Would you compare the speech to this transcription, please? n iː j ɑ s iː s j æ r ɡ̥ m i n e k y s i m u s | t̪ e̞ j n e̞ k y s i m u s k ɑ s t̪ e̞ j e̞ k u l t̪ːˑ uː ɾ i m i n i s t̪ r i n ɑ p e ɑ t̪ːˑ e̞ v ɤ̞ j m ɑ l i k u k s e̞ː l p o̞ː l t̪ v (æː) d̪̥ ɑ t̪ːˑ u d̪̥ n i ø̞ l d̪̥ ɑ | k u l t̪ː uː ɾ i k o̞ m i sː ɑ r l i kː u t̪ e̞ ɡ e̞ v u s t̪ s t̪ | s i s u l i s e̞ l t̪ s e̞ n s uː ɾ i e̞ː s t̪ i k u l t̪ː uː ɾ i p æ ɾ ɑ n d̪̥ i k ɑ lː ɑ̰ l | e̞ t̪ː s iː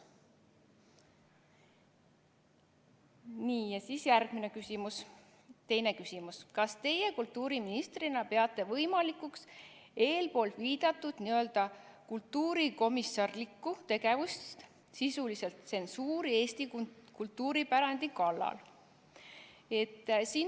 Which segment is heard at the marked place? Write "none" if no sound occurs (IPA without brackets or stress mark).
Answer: iː